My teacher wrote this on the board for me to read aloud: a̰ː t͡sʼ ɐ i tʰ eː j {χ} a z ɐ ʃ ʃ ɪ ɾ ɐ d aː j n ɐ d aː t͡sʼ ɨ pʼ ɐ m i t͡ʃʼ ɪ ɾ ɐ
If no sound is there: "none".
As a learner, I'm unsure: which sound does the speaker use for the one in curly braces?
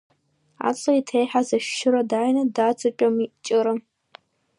ħ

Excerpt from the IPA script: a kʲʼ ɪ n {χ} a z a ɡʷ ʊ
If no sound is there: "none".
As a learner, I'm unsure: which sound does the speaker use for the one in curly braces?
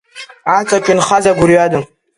χ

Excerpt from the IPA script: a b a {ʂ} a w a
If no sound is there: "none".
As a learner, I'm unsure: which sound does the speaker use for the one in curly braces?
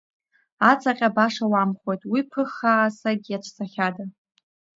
ʂ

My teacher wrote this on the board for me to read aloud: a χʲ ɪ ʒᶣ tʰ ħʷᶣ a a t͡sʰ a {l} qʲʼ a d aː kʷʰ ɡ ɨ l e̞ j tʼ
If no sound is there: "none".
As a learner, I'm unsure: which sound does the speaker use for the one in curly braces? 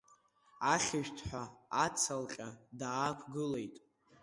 l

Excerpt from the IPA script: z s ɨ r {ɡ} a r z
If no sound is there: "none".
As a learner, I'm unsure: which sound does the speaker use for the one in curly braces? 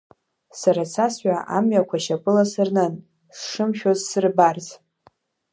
b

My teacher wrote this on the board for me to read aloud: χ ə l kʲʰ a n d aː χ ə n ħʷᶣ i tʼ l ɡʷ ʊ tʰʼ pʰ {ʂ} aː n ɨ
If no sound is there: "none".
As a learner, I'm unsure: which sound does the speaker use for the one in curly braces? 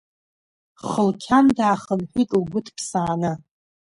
s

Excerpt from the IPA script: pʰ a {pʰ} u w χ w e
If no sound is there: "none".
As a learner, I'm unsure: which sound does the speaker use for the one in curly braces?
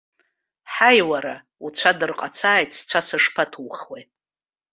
tʰ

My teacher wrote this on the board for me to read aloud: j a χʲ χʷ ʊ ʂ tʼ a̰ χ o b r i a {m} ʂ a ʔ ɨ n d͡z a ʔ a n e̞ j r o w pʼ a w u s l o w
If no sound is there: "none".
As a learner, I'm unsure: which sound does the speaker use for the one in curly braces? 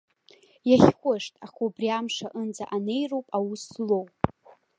m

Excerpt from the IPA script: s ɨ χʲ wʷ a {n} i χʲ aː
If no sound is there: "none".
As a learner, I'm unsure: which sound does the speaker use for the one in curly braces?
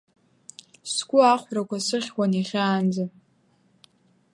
n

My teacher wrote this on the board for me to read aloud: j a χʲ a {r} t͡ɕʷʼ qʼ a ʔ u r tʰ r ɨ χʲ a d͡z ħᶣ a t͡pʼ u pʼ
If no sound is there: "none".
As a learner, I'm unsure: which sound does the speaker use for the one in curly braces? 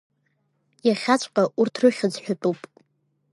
none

